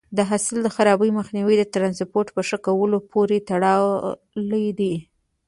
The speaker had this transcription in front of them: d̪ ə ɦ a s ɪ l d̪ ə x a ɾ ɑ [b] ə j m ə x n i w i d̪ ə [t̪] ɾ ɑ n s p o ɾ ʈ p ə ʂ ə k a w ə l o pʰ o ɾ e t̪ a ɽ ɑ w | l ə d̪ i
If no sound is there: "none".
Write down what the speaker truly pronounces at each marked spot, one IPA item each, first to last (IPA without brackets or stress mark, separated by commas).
b, t̪